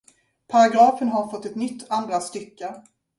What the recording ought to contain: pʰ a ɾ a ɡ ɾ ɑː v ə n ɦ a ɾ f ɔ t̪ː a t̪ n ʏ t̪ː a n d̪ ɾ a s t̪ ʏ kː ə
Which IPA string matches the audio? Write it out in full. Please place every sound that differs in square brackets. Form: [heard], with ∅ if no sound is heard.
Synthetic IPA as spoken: pʰ a ɾ a ɡ ɾ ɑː [f] ə n ɦ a ɾ f ɔ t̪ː [ɛ] t̪ n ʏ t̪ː a n d̪ ɾ a s t̪ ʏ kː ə